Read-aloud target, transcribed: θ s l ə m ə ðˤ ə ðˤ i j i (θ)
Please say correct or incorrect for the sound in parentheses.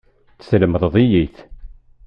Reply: correct